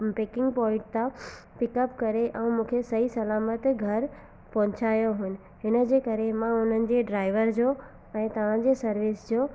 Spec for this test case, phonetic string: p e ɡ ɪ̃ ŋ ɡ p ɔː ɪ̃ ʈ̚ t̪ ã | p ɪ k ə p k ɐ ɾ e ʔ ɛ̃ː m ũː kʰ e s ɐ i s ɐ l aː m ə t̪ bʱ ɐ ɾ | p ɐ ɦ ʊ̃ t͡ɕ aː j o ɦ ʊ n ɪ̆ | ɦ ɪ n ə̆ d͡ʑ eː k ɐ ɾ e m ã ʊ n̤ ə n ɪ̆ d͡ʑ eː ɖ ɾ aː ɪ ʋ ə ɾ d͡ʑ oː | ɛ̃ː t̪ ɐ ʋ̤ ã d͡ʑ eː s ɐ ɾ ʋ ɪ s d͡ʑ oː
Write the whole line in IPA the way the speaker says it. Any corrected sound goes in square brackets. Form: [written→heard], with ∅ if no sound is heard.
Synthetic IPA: p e [ɡ→k] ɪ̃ ŋ ɡ p ɔː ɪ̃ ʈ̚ t̪ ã | p ɪ k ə p k ɐ ɾ e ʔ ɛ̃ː m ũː kʰ e s ɐ i s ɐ l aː m ə t̪ [bʱ→ɡʱ] ɐ ɾ | p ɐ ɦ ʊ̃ t͡ɕ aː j o ɦ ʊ n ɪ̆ | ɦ ɪ n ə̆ d͡ʑ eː k ɐ ɾ e m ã ʊ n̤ ə n ɪ̆ d͡ʑ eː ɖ ɾ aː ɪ ʋ ə ɾ d͡ʑ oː | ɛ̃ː t̪ ɐ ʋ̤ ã d͡ʑ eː s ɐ ɾ ʋ ɪ s d͡ʑ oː